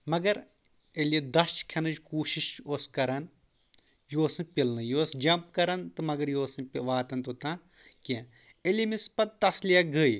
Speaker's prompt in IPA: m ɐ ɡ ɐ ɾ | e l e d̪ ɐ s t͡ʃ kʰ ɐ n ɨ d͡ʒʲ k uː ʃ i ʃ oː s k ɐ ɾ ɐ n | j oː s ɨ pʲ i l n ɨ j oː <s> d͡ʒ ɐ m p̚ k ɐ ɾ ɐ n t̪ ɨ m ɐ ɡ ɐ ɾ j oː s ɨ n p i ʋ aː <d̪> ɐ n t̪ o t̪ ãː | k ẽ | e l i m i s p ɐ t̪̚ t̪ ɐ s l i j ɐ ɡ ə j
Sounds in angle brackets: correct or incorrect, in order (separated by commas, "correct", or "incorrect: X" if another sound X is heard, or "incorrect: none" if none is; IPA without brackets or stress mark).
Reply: correct, incorrect: t̪